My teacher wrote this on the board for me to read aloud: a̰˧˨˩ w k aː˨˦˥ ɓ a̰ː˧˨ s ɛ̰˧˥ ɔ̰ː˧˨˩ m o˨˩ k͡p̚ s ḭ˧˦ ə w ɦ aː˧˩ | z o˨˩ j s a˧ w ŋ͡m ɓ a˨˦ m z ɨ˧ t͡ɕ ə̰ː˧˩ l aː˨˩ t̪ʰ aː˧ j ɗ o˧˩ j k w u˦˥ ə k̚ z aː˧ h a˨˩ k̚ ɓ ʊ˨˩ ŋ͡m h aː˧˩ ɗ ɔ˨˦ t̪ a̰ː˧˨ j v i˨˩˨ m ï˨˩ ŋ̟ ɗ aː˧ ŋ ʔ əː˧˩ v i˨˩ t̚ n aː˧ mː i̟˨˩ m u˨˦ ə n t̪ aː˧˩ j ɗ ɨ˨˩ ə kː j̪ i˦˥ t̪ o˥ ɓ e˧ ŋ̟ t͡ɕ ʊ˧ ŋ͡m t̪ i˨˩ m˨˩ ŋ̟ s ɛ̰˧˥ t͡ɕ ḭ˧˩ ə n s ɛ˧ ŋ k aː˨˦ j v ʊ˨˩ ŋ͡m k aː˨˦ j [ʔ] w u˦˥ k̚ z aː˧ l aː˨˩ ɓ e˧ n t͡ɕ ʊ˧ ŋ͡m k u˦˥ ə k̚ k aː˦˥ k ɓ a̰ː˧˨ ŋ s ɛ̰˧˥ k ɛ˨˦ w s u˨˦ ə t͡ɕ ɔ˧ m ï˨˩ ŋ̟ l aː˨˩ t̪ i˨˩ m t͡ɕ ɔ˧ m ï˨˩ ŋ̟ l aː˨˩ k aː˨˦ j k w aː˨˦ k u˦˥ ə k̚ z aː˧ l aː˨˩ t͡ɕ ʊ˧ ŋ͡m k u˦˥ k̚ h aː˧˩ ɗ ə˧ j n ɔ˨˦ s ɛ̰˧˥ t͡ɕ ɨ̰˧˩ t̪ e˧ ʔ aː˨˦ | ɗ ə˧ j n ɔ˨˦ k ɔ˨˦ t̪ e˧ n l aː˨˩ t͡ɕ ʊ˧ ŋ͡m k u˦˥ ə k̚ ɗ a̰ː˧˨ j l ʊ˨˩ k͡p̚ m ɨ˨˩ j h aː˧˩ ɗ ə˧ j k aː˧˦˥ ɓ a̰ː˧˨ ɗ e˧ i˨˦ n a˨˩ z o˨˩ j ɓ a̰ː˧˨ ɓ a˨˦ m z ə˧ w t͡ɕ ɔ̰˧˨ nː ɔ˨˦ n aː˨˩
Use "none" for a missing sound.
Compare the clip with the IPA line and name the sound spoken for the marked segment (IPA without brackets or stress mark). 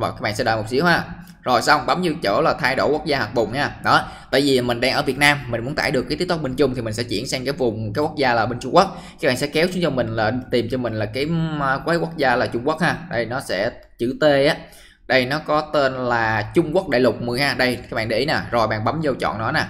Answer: k